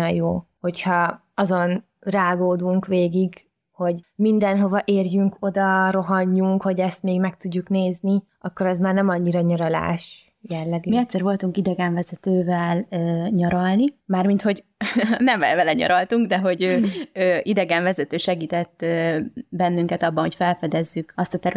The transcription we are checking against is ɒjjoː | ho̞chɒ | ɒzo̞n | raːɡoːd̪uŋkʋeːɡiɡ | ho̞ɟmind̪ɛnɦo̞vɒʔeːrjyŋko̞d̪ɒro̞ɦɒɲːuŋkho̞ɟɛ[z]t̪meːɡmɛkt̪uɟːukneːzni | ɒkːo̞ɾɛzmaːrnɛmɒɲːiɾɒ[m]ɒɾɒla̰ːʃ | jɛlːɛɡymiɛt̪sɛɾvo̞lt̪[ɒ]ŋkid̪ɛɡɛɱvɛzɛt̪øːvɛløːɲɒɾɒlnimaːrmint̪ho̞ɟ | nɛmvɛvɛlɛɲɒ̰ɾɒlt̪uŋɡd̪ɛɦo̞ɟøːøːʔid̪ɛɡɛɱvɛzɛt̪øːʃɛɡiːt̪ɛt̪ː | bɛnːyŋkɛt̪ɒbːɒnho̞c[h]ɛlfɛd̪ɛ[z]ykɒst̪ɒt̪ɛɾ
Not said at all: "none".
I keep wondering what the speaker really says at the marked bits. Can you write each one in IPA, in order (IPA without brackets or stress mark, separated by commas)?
s, ɲ, u, f, zː